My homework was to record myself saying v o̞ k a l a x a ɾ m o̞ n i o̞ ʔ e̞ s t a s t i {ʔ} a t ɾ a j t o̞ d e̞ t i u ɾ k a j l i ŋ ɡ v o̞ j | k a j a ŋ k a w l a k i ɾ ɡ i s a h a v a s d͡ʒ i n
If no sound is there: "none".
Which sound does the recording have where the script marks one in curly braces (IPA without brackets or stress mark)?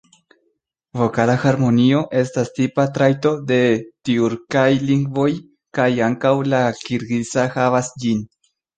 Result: p